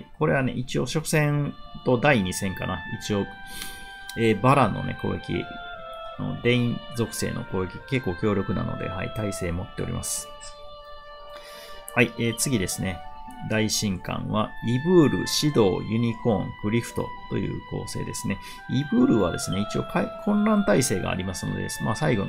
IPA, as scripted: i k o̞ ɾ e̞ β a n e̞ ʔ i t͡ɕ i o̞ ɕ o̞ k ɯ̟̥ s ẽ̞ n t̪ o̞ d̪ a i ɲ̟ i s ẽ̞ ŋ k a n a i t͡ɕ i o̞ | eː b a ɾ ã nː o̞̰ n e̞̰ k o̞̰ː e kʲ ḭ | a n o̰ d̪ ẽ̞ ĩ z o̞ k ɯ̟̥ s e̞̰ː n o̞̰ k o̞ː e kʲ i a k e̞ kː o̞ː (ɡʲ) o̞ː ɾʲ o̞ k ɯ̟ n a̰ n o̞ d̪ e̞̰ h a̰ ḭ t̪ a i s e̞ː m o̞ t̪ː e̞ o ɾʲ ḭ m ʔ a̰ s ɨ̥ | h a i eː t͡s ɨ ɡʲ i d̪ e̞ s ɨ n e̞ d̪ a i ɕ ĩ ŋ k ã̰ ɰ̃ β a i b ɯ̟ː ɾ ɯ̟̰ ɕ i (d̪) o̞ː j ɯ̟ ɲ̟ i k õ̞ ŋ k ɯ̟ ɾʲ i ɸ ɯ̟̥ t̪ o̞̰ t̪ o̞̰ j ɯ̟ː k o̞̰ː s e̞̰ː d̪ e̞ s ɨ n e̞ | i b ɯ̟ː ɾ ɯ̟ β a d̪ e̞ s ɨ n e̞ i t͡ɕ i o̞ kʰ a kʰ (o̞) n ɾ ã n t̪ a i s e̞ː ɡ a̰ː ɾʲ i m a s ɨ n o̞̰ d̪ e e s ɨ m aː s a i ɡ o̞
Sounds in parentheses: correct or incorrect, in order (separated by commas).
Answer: incorrect, correct, incorrect